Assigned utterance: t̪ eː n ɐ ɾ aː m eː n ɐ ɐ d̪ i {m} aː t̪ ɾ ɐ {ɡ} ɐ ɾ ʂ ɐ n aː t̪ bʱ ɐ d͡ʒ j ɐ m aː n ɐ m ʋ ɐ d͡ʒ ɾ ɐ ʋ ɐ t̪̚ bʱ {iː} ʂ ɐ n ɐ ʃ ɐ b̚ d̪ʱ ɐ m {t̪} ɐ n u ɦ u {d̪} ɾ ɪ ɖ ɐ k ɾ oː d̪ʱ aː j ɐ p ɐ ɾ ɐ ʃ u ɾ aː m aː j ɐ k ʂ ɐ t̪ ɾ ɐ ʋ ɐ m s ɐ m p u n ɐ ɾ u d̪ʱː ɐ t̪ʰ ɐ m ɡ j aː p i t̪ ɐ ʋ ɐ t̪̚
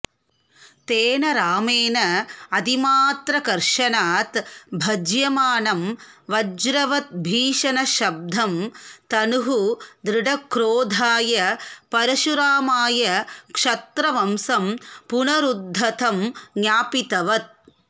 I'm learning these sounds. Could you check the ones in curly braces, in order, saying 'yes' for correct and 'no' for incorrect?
yes, no, yes, yes, yes

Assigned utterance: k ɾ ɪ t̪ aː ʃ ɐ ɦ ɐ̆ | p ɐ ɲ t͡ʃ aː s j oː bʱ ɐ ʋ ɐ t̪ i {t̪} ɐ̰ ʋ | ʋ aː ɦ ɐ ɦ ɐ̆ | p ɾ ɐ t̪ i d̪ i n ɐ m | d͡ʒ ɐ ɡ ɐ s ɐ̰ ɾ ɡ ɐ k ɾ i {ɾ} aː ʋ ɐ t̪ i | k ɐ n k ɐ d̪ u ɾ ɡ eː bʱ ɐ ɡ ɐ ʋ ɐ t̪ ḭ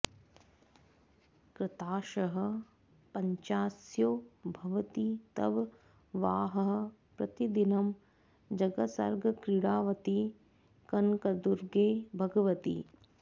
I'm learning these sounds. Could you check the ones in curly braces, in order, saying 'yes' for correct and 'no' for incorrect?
yes, no

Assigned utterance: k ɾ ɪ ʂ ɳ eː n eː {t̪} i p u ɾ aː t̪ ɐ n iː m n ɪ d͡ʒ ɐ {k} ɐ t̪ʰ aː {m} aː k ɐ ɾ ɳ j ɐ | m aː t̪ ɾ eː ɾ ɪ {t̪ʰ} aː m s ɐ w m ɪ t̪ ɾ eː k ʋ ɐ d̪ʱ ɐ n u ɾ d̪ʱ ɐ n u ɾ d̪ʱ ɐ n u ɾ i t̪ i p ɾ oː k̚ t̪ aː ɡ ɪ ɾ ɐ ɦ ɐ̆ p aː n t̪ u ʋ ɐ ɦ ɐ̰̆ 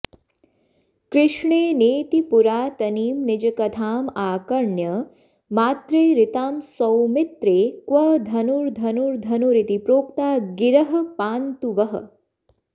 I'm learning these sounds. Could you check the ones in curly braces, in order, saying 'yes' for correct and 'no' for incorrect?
yes, yes, yes, no

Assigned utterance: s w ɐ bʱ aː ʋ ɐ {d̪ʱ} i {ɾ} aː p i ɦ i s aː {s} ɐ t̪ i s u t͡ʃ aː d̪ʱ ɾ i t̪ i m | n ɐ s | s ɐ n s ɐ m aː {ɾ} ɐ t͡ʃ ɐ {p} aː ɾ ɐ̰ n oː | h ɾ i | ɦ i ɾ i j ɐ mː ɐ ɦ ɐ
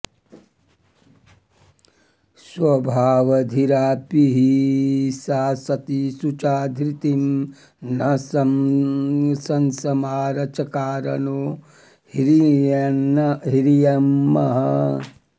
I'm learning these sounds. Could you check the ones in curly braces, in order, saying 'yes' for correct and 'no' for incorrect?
yes, yes, yes, yes, no

